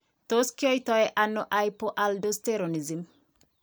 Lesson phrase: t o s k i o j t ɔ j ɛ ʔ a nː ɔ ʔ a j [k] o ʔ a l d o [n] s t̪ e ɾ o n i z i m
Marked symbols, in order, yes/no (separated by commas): no, no